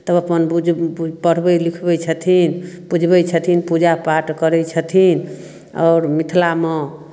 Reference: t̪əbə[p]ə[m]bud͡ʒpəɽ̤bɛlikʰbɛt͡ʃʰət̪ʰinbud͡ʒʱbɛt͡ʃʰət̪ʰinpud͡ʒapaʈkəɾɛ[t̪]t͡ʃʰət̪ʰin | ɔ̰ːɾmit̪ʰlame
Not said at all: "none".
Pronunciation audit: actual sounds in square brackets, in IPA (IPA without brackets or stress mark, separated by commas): p, n, none